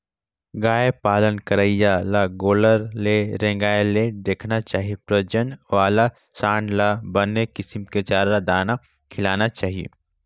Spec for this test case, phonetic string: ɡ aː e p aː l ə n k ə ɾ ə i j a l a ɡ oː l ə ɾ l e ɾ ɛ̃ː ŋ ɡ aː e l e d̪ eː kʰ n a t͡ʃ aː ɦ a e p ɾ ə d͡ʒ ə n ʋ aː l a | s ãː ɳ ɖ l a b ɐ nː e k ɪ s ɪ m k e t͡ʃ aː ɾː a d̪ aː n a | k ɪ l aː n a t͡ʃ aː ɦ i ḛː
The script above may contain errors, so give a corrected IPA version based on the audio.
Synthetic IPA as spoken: ɡ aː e p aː l ə n k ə ɾ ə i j a l a ɡ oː l ə ɾ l e ɾ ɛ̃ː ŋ ɡ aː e l e d̪ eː kʰ n a t͡ʃ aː ɦ i e p ɾ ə d͡ʒ ə n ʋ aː l a | s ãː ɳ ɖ l a b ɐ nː e k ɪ s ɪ m k e t͡ʃ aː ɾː a d̪ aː n a | kʰ ɪ l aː n a t͡ʃ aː ɦ i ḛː